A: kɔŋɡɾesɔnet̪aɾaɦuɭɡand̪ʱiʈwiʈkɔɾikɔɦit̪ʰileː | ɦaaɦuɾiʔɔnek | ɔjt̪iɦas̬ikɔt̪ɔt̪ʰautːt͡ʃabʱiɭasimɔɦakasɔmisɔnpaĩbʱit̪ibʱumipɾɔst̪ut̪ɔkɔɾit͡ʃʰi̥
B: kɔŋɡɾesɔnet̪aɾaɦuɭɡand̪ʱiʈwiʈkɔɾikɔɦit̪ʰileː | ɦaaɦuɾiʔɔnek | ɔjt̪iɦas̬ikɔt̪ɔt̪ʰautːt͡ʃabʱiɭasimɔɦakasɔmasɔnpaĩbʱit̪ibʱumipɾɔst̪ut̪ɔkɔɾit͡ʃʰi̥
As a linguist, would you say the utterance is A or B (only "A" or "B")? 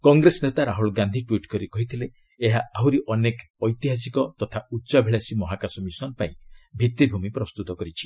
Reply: A